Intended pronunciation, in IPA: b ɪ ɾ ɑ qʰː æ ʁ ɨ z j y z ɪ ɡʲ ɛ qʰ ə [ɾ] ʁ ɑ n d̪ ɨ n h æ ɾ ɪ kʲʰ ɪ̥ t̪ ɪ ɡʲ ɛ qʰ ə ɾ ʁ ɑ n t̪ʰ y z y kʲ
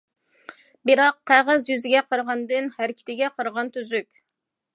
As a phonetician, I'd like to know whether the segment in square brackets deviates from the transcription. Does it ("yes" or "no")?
no